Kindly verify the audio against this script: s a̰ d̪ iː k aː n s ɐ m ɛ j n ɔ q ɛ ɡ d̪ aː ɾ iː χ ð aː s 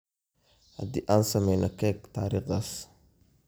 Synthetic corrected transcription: h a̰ d̪ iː ʔ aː n s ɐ m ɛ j n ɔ k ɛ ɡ t̪ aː ɾ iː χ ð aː s